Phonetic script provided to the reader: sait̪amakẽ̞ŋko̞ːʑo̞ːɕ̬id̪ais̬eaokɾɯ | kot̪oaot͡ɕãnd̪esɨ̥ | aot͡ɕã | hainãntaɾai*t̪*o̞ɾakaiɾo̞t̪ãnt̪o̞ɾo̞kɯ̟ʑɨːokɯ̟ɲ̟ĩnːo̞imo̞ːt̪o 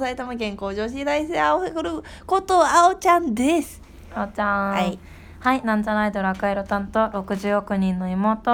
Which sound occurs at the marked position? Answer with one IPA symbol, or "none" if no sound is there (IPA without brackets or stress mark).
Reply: d̪